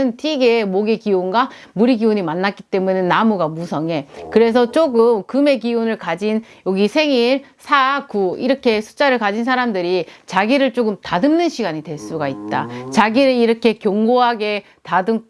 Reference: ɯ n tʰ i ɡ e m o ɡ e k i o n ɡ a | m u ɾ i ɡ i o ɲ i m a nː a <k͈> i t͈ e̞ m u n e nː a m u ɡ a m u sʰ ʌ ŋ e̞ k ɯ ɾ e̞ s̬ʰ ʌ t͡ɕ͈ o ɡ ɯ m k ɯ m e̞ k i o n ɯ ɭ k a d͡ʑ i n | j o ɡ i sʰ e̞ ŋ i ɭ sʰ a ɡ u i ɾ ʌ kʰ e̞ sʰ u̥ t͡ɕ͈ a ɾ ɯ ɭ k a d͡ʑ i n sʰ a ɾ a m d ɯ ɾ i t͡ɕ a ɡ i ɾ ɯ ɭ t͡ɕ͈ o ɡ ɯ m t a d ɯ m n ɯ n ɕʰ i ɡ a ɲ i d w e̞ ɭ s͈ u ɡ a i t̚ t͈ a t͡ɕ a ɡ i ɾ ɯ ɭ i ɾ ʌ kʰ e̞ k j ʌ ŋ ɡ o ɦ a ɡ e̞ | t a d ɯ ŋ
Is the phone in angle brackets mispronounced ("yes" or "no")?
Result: no